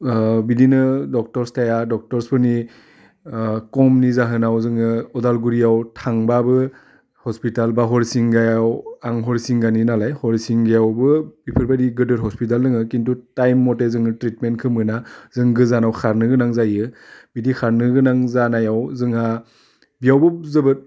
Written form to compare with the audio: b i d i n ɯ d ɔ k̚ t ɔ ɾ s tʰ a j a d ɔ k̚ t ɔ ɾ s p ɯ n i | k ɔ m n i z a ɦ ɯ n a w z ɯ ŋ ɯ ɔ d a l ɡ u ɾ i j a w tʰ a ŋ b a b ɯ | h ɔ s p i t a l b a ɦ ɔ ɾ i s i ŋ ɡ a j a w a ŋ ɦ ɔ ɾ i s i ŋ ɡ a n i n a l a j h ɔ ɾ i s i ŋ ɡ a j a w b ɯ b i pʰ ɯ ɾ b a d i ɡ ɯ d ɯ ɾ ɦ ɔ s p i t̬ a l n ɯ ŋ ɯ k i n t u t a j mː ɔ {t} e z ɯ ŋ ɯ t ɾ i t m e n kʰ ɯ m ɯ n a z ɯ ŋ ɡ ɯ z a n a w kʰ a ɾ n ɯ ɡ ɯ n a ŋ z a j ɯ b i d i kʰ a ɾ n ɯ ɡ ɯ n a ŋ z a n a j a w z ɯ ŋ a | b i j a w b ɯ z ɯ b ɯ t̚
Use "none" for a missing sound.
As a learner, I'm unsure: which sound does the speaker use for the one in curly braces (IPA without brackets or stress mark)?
t